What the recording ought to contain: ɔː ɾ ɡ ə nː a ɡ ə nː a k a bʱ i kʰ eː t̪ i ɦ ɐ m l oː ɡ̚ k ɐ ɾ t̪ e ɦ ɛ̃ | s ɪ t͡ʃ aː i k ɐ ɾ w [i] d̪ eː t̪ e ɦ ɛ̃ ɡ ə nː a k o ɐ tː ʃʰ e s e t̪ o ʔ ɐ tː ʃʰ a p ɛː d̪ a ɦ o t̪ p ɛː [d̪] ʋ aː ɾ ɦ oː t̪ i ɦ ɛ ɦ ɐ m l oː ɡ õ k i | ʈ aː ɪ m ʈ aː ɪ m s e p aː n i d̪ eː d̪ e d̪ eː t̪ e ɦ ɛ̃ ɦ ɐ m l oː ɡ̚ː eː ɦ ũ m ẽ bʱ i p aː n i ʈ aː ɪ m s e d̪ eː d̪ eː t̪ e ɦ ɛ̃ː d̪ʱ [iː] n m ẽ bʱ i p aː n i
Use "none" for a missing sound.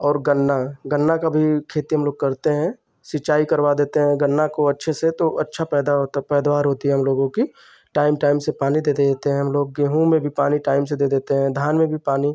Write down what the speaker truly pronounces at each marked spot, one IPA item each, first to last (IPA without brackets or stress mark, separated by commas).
a, d̪, aː